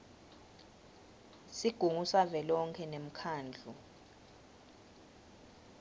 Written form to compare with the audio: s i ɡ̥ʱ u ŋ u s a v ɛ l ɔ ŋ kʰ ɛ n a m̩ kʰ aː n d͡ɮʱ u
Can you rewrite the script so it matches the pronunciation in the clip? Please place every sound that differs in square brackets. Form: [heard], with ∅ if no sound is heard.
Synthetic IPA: s i ɡ̥ʱ u ŋ u s a v ɛ l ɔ ŋ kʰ ɛ n [e] m̩ kʰ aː n d͡ɮʱ u